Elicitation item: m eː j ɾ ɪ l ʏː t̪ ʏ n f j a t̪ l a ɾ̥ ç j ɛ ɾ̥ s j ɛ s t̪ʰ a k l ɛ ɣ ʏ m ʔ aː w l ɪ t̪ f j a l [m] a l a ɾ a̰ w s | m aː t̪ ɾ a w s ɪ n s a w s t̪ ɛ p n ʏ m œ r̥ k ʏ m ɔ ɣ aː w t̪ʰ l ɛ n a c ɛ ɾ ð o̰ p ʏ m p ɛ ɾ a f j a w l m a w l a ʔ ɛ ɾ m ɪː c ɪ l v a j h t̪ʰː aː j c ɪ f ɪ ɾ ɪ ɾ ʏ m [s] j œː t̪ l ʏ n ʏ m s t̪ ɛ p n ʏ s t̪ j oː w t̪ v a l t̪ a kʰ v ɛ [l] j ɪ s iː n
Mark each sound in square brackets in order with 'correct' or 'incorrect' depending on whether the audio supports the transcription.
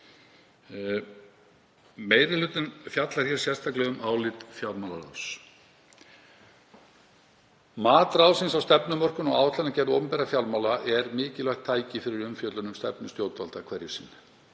correct, incorrect: f, incorrect: ɾ

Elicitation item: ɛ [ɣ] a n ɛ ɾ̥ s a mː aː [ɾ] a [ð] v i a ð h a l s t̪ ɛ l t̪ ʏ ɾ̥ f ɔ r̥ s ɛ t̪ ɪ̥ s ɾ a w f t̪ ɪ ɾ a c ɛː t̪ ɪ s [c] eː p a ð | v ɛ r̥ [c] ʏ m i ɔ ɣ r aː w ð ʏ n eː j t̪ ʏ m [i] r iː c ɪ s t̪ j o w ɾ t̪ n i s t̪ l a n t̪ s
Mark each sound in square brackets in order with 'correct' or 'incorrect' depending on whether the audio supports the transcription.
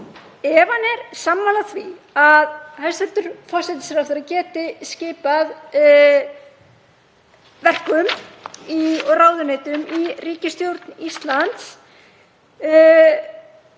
incorrect: v, incorrect: l, incorrect: θ, correct, incorrect: k, correct

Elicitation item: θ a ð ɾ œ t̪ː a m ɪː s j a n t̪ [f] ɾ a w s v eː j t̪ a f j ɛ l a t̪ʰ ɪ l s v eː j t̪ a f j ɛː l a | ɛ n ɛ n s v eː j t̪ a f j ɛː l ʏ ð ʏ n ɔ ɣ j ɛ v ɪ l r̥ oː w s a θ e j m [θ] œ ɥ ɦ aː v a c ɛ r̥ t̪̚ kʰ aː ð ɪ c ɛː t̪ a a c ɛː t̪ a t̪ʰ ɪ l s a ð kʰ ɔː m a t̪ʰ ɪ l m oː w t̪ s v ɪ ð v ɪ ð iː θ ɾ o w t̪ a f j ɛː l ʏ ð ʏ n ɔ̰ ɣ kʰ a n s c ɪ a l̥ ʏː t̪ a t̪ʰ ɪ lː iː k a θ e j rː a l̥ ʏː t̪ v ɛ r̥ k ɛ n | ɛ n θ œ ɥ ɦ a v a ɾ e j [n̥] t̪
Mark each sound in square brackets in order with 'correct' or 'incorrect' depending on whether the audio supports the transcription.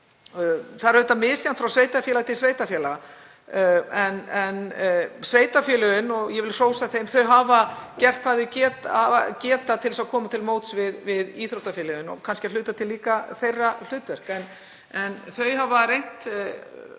correct, correct, correct

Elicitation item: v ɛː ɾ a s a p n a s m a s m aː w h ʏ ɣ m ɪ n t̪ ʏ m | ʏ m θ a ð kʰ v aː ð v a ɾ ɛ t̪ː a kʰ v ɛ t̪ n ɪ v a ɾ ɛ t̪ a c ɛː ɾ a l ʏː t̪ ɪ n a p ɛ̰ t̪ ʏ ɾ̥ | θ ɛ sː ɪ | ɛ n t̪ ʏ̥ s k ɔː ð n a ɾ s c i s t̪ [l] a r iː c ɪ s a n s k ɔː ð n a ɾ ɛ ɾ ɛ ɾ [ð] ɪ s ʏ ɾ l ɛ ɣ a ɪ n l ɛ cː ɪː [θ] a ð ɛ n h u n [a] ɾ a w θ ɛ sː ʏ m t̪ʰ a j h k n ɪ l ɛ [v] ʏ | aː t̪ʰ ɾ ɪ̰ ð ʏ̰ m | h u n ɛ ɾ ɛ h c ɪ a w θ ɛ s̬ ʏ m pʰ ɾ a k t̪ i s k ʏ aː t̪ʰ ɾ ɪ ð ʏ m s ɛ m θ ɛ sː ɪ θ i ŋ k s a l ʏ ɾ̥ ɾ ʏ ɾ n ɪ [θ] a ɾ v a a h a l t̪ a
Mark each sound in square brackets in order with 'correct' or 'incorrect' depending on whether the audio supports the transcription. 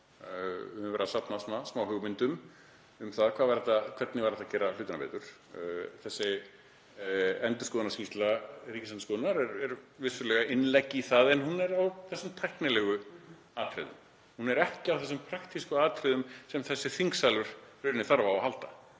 correct, incorrect: v, correct, incorrect: ɛ, incorrect: ɣ, correct

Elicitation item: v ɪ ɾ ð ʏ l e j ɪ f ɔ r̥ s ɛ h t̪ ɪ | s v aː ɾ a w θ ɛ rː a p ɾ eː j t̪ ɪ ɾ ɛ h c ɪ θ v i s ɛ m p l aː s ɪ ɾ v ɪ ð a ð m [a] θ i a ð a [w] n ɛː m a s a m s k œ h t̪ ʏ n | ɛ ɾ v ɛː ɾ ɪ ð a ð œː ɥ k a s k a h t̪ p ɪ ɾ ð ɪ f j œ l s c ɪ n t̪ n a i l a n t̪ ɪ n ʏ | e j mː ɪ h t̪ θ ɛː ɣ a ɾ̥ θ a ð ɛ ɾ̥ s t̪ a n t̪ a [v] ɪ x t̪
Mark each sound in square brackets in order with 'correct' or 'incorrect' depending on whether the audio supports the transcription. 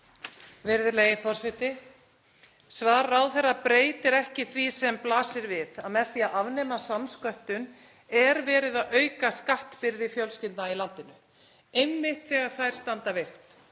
incorrect: ɛ, incorrect: v, correct

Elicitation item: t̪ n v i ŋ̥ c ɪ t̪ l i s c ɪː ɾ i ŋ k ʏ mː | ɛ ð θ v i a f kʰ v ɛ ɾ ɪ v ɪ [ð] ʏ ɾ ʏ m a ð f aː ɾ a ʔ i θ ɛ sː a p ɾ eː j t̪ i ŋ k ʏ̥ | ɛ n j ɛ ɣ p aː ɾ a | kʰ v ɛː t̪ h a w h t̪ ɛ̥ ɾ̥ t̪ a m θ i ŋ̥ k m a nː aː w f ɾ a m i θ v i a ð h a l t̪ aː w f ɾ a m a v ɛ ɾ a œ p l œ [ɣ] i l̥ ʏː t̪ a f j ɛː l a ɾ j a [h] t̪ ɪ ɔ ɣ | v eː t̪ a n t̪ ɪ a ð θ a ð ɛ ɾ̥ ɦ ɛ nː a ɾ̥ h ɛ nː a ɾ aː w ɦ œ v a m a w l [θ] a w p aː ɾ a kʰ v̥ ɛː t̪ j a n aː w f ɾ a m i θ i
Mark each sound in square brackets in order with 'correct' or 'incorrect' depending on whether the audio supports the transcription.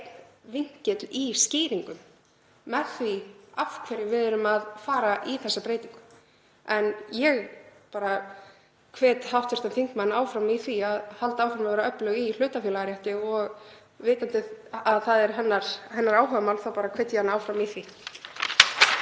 correct, correct, correct, correct

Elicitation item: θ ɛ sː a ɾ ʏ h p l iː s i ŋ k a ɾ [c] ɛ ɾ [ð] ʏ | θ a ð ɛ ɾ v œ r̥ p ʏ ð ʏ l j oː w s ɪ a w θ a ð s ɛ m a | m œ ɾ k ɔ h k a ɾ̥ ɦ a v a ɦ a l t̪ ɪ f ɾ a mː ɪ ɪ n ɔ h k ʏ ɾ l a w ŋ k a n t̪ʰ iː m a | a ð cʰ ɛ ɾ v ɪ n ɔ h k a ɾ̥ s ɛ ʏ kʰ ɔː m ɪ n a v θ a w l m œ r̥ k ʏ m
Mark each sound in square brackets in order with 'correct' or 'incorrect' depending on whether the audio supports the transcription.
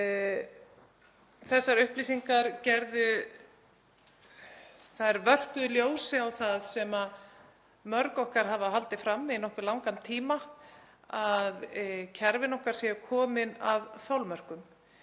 correct, correct

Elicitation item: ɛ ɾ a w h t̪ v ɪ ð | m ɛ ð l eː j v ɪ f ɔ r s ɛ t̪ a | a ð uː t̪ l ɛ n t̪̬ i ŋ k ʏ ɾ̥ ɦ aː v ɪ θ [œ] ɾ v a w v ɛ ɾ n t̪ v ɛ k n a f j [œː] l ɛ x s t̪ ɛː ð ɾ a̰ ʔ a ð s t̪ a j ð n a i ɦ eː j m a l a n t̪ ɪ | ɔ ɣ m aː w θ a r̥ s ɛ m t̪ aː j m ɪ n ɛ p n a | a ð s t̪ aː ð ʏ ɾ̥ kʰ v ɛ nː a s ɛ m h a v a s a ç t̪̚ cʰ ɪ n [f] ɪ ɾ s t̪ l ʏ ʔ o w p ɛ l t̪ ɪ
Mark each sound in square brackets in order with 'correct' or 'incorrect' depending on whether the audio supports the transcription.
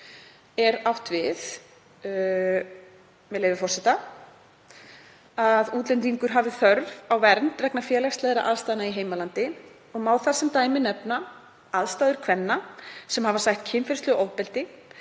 correct, incorrect: ɛː, correct

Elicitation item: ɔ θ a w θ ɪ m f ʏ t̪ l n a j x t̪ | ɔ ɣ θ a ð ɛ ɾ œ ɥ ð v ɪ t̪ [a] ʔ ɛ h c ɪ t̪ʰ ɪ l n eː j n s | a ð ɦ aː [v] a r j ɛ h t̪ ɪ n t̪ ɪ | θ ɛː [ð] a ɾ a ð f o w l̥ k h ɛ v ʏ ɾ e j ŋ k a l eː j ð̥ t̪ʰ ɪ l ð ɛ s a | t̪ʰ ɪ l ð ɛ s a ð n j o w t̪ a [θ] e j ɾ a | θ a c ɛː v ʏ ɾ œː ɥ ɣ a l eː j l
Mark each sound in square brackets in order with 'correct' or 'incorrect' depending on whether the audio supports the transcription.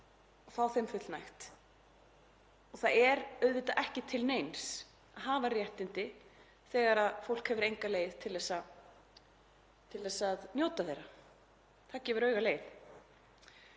correct, correct, incorrect: ɣ, correct

